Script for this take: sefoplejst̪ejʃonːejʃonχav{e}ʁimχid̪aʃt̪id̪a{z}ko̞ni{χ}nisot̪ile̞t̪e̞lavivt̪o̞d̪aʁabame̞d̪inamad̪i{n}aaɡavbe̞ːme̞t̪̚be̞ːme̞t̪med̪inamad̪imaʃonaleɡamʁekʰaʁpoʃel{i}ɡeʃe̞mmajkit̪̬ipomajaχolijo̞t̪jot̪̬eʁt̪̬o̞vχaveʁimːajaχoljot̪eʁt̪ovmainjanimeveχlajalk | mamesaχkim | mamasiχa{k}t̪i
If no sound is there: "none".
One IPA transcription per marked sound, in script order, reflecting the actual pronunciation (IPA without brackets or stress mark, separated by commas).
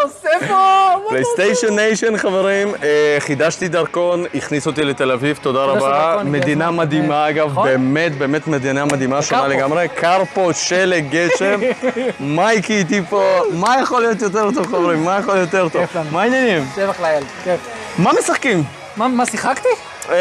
e, ʁ, χ, m, e, k